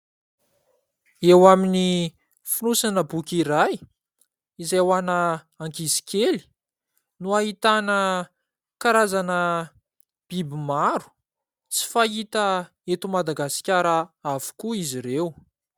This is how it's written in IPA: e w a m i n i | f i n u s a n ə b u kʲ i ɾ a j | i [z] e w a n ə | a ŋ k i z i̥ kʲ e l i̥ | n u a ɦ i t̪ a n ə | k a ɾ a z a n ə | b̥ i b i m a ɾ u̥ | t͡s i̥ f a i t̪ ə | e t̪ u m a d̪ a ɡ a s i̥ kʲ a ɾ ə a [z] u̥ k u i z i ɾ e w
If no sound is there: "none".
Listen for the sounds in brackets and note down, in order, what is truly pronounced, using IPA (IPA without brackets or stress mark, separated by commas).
z, v